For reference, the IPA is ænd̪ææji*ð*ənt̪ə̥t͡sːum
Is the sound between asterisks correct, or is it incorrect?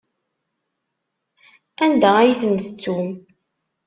incorrect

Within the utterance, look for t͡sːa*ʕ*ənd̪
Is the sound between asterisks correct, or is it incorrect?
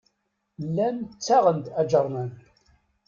incorrect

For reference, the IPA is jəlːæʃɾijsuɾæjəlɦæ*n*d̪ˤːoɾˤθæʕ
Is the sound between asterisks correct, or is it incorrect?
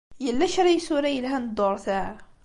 correct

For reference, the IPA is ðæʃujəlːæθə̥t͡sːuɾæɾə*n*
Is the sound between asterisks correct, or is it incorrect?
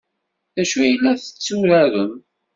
incorrect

